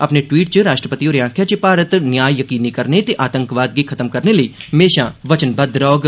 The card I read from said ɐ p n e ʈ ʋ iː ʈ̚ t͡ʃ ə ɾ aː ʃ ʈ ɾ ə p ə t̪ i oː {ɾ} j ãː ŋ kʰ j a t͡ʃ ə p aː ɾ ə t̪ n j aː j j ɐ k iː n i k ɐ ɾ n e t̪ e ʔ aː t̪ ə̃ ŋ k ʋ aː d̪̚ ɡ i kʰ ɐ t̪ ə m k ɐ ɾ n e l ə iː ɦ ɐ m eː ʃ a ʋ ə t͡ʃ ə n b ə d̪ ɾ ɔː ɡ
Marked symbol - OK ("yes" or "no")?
yes